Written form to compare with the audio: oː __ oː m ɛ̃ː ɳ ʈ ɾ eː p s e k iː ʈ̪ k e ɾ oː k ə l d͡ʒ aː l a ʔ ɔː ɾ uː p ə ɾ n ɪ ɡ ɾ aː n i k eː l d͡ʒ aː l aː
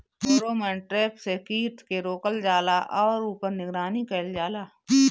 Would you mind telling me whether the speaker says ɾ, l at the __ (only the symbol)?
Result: ɾ